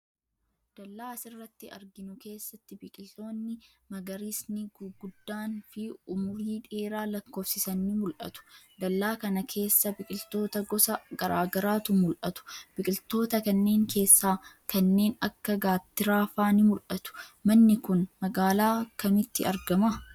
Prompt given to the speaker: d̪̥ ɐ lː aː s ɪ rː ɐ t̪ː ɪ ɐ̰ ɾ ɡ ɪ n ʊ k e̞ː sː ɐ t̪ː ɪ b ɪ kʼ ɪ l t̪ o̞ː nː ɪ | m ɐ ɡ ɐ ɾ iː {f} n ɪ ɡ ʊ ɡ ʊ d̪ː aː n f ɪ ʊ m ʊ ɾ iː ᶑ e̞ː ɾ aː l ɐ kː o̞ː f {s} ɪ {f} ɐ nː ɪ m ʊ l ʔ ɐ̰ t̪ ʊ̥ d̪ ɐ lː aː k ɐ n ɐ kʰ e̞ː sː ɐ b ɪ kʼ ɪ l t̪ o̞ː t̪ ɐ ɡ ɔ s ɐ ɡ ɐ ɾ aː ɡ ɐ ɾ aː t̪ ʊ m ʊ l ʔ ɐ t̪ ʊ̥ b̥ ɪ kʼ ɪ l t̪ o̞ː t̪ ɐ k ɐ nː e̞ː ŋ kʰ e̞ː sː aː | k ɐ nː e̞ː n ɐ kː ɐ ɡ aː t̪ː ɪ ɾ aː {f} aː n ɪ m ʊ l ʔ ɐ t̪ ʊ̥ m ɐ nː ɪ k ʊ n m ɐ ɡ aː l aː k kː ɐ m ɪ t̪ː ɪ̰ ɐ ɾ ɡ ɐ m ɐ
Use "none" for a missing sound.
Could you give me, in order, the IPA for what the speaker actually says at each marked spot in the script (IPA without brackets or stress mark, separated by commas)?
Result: s, s, s, f